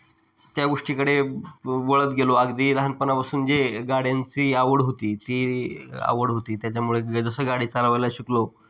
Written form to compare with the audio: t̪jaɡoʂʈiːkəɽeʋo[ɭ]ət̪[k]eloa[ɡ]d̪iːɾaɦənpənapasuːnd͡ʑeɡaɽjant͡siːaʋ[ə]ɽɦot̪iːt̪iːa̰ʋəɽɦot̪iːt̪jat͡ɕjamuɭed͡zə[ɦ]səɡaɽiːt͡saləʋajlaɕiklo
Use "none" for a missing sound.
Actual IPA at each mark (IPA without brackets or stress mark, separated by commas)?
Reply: ɭ, ɡ, ɡ, ə, none